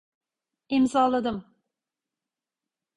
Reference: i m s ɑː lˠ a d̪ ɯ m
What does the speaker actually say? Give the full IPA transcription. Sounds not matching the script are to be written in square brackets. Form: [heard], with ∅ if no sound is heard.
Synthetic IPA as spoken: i m [z] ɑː lˠ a d̪ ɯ m